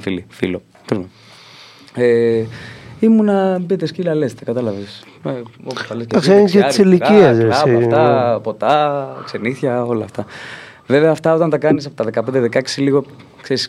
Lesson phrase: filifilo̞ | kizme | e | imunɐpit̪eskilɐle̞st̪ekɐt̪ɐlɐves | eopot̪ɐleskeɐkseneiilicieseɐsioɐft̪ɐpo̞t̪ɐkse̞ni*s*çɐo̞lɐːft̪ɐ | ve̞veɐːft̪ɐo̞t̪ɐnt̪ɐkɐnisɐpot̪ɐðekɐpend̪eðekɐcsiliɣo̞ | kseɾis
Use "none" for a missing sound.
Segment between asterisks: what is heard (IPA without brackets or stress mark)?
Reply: θ